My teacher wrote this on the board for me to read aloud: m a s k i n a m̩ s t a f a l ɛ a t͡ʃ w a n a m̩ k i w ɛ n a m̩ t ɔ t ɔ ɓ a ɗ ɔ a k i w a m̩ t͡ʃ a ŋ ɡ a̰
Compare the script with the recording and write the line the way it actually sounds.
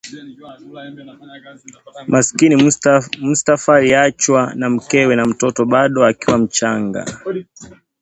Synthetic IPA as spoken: m a s k i n i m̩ s t a f a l i a t͡ʃ w a n a m̩ k ɛ w ɛ n a m̩ t ɔ t ɔ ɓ a ɗ ɔ a k i w a m̩ t͡ʃ a ŋ ɡ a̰